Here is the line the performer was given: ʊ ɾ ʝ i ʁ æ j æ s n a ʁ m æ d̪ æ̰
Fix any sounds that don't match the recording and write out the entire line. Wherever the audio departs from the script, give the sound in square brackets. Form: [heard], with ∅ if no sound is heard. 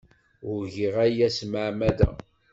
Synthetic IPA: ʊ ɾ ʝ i ʁ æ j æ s [m] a [ʕ] m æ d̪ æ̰